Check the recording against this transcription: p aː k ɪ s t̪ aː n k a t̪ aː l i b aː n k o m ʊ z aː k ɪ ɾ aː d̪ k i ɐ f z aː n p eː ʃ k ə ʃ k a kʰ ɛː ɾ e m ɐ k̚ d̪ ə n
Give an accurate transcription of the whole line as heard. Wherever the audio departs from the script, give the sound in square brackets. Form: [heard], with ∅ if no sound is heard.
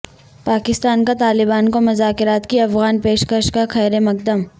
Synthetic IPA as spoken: p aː k ɪ s t̪ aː n k a t̪ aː l [ɪ] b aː n k o m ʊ z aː k ɪ ɾ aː [t̪] k i ɐ f [ɣ] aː n p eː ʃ k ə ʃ k a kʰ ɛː ɾ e m ɐ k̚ d̪ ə [m]